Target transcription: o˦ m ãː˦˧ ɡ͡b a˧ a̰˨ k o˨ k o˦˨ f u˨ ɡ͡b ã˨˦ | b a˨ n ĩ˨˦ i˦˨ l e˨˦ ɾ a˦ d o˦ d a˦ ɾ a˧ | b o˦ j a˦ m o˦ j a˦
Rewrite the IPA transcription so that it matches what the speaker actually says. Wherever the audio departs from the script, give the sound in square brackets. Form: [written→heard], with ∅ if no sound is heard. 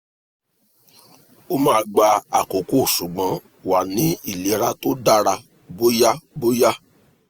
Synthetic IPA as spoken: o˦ m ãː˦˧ ɡ͡b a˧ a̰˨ k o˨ k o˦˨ [f→ʃ] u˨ ɡ͡b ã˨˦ | [b→w] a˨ n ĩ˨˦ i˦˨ l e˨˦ ɾ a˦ [d→t] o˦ d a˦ ɾ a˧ | b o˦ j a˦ [m→b] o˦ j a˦